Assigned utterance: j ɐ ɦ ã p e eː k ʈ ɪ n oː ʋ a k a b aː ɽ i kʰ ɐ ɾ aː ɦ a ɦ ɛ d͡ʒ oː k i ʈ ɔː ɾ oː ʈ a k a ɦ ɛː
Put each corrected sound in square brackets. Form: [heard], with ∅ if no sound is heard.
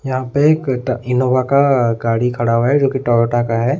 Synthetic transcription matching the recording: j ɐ ɦ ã p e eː k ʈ ɪ n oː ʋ a k a [ɡ] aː ɽ i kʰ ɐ [ɽ] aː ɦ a ɦ ɛ d͡ʒ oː k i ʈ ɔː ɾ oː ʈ a k a ɦ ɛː